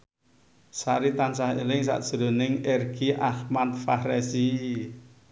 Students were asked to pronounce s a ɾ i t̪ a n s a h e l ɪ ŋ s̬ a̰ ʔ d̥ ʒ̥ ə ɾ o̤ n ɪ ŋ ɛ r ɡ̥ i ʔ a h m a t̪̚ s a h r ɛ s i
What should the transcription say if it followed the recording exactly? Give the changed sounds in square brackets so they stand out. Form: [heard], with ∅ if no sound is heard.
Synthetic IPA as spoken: s a ɾ i t̪ a n s a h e l ɪ ŋ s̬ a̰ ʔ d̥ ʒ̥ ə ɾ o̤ n ɪ ŋ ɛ r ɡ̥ i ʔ a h m a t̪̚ [f] a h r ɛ s i